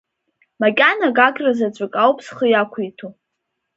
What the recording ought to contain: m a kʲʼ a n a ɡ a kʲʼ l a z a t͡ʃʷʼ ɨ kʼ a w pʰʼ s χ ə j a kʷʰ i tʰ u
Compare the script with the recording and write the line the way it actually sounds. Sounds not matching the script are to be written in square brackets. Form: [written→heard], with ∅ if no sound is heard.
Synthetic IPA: m a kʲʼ a n a ɡ a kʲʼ [l→r] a z a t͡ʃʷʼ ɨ kʼ a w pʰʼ s χ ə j a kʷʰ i tʰ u